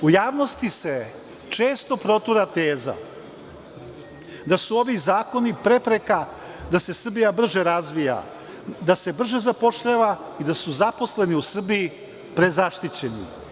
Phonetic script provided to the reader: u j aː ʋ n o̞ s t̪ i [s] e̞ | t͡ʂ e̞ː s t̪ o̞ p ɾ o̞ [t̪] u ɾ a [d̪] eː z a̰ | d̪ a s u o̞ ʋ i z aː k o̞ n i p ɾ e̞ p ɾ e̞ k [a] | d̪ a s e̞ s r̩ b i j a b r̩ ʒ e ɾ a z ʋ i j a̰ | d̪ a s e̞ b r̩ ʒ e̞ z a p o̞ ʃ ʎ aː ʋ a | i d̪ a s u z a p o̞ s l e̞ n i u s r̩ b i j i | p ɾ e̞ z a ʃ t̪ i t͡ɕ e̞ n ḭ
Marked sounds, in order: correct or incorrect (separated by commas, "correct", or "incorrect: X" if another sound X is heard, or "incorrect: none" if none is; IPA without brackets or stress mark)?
correct, correct, incorrect: t̪, correct